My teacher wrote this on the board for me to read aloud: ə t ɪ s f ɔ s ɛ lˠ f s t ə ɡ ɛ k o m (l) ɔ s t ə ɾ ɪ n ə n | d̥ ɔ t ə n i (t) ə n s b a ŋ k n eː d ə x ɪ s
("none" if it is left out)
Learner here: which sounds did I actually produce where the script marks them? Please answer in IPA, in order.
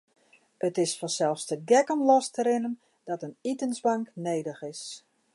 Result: l, t

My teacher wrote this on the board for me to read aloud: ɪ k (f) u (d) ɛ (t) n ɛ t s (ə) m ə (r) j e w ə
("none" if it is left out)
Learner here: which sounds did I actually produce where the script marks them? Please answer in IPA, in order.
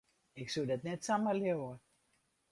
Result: s, d, t, a, l

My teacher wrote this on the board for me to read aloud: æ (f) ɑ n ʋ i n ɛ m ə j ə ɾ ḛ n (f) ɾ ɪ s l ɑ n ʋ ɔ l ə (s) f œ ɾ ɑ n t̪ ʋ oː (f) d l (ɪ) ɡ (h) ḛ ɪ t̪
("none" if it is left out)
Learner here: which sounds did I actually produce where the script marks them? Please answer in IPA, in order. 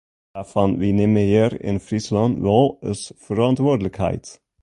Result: f, f, s, none, ɪ, h

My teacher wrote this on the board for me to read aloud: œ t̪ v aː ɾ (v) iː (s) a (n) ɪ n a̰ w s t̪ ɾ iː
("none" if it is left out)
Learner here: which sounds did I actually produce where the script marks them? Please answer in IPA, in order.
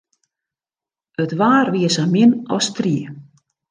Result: v, s, m

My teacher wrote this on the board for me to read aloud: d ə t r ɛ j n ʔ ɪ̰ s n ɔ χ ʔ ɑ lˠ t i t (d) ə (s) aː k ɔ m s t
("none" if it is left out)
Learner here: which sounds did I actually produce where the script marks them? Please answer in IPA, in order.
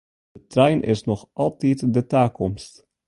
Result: d, t

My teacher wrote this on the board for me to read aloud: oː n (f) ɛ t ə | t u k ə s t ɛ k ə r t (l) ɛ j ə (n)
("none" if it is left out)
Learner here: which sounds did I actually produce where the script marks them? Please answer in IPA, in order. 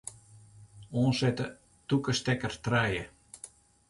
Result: s, r, none

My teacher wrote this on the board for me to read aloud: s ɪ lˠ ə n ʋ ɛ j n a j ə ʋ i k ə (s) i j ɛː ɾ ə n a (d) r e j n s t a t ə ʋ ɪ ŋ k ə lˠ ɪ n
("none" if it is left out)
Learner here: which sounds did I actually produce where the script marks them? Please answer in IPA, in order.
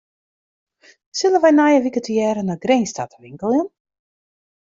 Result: t, ɡ

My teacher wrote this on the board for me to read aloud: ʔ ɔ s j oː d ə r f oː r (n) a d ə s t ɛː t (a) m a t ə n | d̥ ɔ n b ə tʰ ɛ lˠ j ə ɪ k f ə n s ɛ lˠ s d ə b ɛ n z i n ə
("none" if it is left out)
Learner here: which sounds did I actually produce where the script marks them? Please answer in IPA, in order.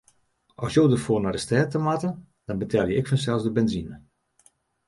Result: n, ə

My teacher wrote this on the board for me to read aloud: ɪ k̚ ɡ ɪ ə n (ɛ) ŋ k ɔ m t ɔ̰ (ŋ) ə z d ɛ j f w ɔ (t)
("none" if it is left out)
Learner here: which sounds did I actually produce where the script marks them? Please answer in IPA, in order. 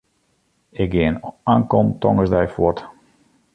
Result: a, ŋ, t

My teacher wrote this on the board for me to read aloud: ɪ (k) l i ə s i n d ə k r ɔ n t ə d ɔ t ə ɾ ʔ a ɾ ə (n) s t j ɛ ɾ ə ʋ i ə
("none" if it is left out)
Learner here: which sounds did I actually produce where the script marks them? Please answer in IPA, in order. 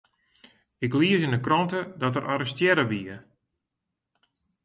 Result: k, none

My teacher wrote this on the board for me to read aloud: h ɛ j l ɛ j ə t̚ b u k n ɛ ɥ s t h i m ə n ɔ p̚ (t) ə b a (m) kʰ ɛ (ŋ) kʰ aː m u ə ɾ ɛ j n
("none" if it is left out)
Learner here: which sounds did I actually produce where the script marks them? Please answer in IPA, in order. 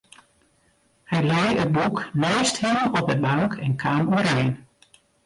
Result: d, ŋ, n

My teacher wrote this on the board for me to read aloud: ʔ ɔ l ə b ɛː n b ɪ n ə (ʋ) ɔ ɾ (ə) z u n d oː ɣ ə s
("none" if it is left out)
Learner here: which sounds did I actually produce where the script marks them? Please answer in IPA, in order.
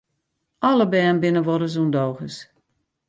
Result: ʋ, ə

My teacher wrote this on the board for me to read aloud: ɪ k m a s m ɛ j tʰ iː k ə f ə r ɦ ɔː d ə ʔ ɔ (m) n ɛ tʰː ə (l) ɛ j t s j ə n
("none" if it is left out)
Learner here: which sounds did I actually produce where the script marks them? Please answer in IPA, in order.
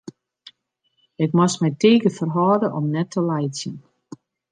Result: m, l

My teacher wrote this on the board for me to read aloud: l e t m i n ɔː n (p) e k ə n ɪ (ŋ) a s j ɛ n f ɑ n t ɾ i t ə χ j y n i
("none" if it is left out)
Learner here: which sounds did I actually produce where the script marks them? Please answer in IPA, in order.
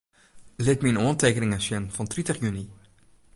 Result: t, ŋ

